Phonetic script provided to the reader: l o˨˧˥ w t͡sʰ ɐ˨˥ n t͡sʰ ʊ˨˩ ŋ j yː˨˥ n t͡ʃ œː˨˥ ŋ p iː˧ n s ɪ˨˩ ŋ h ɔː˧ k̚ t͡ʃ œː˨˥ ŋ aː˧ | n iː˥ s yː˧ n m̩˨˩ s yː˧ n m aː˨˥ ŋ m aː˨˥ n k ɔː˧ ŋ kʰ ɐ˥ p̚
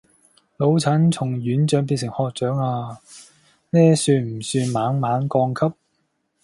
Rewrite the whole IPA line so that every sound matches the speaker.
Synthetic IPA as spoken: l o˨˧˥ w t͡sʰ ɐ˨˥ n t͡sʰ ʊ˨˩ ŋ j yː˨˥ n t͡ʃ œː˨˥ ŋ p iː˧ n s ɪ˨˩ ŋ h ɔː˧ k̚ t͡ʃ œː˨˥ ŋ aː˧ | n ɛː˥ s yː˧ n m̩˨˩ s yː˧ n m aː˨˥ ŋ m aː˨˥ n k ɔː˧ ŋ kʰ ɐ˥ p̚

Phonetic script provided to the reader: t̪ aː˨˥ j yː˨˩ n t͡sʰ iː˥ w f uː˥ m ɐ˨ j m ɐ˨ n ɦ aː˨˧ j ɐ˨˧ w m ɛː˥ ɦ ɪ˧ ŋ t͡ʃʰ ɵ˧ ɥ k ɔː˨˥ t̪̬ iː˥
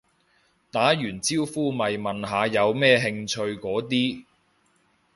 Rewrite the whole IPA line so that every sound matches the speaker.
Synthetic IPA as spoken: t̪ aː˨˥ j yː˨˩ n t͡s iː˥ w f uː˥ m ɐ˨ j m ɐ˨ n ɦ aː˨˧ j ɐ˨˧ w m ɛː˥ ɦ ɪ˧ ŋ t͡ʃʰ ɵ˧ ɥ k ɔː˨˥ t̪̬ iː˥

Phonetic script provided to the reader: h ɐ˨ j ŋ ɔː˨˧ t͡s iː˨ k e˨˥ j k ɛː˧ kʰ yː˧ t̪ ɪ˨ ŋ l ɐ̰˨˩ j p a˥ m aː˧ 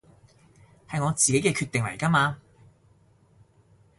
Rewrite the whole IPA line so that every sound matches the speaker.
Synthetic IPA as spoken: h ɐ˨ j ŋ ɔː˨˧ t͡s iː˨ k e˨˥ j k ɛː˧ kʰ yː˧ t̪ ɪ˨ ŋ l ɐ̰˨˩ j k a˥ m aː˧

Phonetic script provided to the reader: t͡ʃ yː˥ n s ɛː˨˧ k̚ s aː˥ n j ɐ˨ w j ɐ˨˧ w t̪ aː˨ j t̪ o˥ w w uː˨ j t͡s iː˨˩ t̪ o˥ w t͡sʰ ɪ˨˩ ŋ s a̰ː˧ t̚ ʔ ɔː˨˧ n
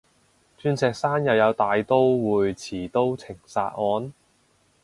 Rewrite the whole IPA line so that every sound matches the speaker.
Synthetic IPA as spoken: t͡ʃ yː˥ n s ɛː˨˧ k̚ s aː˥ n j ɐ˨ w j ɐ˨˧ w t̪ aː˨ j t̪ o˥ w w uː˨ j t͡sʰ iː˨˩ t̪ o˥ w t͡sʰ ɪ˨˩ ŋ s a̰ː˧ t̚ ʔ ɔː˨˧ n

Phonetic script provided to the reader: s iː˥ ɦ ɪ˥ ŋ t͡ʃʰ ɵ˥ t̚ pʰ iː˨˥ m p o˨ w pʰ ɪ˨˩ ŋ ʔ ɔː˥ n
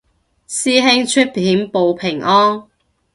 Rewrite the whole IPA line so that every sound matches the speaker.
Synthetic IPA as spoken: s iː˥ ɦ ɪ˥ ŋ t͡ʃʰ ɵ˥ t̚ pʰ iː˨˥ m p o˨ w pʰ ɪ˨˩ ŋ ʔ ɔː˥ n

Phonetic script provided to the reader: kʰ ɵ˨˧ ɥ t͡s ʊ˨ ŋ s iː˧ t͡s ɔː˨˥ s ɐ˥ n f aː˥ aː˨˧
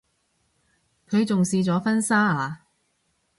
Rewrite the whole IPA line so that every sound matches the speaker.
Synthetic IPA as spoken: kʰ ɵ˨˧ ɥ t͡s ʊ˨ ŋ s iː˧ t͡s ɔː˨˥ f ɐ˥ n s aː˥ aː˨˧

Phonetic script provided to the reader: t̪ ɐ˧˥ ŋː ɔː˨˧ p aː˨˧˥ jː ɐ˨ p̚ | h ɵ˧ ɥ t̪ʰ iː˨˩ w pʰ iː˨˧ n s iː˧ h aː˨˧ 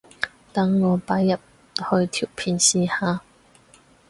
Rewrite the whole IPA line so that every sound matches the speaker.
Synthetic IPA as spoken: t̪ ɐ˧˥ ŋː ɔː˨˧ p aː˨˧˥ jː ɐ˨ p̚ | h ɵ˧ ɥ t̪ʰ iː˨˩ w pʰ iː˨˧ n s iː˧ h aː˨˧

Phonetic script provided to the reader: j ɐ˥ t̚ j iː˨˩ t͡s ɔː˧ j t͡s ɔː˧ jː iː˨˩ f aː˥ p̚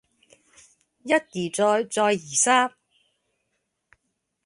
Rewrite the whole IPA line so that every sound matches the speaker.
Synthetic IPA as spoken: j ɐ˥ t̚ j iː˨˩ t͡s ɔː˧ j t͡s ɔː˧ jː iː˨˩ s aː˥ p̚

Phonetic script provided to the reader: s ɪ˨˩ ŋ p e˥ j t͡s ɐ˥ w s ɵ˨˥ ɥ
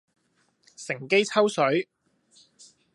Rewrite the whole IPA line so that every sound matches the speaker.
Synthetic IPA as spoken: s ɪ˨˩ ŋ k e˥ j t͡sʰ ɐ˥ w s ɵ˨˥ ɥ

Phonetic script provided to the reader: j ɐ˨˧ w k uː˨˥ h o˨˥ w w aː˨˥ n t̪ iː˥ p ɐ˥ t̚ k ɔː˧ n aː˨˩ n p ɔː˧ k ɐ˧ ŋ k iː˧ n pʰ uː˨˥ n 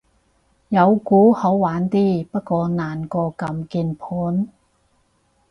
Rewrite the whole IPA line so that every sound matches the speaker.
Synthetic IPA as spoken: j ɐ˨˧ w k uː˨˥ h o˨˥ w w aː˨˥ n t̪ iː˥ p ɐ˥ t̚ k ɔː˧ n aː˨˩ n k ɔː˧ k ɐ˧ m k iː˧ n pʰ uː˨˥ n

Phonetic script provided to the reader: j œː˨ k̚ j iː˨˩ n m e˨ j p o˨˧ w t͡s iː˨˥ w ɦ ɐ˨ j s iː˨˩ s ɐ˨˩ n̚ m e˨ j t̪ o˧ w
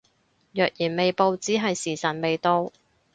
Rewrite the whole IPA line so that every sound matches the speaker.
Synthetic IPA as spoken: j œː˨ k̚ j iː˨˩ n m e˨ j p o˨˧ w t͡s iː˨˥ ɦ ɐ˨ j s iː˨˩ s ɐ˨˩ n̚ m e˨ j t̪ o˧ w

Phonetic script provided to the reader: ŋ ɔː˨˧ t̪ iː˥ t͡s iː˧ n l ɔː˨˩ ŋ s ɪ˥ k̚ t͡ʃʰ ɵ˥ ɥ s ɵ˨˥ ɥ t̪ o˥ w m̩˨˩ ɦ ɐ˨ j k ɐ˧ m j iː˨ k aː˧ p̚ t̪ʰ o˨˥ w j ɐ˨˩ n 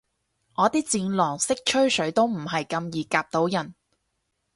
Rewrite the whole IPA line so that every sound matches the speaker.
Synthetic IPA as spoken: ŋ ɔː˨˧ t̪ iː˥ t͡s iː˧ n l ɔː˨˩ ŋ s ɪ˥ k̚ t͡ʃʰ ɵ˥ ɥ s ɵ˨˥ ɥ t̪ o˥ w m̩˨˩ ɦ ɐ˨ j k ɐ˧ m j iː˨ k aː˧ p̚ t̪ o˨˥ w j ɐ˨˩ n

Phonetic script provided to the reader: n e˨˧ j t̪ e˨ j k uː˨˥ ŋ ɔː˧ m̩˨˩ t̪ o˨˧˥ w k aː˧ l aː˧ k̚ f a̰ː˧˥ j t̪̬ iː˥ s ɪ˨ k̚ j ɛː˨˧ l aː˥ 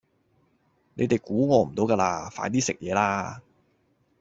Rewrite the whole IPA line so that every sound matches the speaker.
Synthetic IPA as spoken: n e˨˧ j t̪ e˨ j k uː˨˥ ŋ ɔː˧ m̩˨˩ t̪ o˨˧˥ w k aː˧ l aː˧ f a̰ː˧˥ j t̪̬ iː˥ s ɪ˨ k̚ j ɛː˨˧ l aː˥

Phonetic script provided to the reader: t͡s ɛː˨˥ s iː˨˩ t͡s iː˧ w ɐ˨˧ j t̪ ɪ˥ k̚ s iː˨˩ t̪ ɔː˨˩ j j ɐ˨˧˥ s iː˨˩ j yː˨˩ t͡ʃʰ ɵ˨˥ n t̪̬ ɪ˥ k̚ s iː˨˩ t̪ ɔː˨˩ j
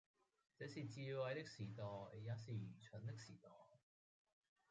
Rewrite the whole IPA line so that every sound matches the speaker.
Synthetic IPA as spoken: t͡s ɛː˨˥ s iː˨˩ t͡s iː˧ w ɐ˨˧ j t̪ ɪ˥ k̚ s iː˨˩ t̪ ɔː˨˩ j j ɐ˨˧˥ s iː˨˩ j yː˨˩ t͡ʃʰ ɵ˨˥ n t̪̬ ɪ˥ k̚ s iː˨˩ t̪ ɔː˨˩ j

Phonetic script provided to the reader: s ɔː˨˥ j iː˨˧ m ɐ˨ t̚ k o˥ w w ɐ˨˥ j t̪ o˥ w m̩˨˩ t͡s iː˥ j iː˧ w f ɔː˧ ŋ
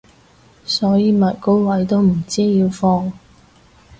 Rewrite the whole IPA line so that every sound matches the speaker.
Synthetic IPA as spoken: s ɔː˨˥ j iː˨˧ m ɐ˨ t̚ k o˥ w w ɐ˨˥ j t̪ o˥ w m̩˨˩ t͡s iː˥ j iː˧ w f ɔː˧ ŋ

